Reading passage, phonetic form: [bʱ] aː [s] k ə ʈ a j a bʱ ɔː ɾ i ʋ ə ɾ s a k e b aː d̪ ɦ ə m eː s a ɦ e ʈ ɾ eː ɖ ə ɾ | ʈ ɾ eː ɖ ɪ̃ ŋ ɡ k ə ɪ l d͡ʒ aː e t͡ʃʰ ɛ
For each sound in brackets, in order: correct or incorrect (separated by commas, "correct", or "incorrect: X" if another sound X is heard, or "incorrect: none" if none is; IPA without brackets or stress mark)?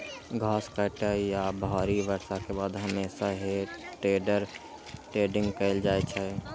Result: incorrect: ɡʱ, correct